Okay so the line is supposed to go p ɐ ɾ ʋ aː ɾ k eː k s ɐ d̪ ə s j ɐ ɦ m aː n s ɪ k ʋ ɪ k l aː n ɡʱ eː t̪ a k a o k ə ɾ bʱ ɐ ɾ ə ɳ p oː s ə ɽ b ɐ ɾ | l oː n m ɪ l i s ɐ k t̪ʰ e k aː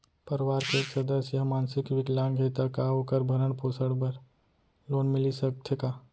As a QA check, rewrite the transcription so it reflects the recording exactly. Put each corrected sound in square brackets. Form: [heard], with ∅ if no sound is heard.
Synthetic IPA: p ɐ ɾ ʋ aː ɾ k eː k s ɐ d̪ ə s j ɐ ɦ m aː n s ɪ k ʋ ɪ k l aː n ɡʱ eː t̪ a k a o k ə ɾ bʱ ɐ ɾ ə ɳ p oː s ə ɽ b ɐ ɾ | l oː n m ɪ l i s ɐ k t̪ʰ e k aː